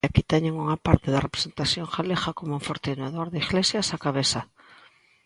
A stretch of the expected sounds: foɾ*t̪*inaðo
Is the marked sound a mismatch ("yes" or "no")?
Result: no